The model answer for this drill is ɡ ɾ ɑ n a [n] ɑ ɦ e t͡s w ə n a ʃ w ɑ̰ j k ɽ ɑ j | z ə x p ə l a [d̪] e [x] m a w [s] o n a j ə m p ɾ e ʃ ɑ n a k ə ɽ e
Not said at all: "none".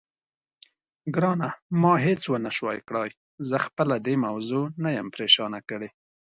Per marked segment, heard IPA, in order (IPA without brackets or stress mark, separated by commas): m, d̪, none, z